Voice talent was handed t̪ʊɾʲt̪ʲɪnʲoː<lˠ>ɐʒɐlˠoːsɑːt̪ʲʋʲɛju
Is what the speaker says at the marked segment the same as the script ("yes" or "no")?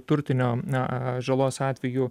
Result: no